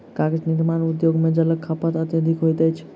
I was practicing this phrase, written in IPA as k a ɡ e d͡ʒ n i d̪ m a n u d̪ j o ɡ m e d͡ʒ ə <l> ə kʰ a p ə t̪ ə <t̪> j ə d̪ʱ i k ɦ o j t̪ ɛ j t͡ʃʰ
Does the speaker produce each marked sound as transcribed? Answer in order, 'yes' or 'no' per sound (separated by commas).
yes, yes